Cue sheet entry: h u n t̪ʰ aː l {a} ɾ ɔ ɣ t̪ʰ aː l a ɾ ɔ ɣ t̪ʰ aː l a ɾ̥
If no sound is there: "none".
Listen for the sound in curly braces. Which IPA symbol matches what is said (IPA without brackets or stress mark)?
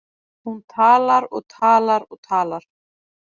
a